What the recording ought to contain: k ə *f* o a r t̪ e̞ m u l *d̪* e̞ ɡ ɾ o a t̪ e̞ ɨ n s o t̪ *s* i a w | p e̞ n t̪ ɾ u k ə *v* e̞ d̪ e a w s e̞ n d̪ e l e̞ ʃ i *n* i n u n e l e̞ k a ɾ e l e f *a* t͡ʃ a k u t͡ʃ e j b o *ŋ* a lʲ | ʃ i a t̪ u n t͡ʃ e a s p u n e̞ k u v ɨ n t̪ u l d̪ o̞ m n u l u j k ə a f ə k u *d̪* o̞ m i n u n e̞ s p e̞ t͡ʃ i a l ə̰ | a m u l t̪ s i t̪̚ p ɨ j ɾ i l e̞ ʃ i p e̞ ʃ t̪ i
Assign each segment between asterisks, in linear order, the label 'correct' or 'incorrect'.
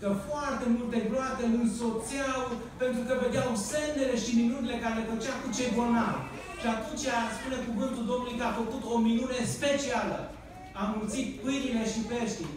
correct, incorrect, correct, correct, incorrect, incorrect, incorrect, incorrect

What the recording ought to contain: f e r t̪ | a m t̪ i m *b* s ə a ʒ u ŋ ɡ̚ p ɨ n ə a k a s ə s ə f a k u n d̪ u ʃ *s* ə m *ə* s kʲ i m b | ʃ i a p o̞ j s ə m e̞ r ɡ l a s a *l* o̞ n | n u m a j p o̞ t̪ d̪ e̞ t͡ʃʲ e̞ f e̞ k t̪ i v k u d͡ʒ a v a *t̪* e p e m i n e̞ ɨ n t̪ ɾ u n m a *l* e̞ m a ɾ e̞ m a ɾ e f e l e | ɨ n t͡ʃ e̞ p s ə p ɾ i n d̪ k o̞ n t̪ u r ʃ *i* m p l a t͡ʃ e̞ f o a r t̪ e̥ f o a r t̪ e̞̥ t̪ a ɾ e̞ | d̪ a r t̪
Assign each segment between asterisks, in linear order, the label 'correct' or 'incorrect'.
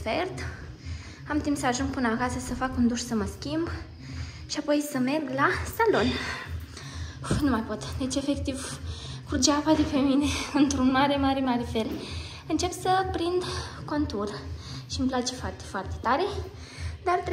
incorrect, correct, correct, correct, incorrect, incorrect, correct

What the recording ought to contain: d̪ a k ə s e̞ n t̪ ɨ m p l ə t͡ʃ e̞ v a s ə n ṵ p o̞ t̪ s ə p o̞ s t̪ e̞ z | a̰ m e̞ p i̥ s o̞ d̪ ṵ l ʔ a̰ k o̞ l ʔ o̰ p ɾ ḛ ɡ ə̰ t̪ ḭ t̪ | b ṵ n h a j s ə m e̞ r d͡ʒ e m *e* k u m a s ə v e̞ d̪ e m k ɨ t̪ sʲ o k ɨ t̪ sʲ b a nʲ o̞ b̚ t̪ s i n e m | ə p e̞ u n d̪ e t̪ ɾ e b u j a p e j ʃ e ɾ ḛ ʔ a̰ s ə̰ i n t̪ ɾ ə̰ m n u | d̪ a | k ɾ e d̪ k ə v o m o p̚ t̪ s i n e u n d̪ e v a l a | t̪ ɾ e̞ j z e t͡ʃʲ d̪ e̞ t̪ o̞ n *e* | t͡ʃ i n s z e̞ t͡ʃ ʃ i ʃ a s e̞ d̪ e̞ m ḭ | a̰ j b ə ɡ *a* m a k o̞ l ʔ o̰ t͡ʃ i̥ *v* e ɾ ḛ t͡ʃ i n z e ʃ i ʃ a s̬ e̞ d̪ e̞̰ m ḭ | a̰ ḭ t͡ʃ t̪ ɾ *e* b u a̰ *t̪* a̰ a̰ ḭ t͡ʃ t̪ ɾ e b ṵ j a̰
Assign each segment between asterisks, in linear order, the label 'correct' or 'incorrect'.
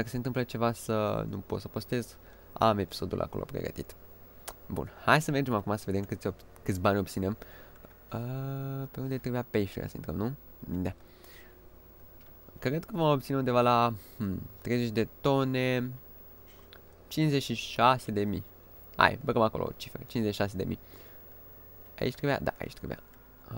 incorrect, correct, incorrect, incorrect, correct, incorrect

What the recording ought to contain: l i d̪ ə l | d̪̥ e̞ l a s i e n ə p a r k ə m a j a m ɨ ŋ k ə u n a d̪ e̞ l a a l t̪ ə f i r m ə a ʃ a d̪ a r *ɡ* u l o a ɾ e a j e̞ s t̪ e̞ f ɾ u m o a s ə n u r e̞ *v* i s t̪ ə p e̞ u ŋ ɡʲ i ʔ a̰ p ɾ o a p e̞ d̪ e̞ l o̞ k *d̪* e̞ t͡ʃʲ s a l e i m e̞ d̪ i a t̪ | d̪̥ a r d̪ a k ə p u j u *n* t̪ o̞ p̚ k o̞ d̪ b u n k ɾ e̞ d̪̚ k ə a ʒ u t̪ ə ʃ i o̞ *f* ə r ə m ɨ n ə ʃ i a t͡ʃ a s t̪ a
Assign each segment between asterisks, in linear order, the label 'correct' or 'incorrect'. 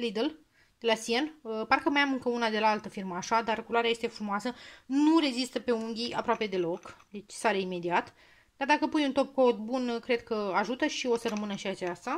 incorrect, incorrect, correct, correct, incorrect

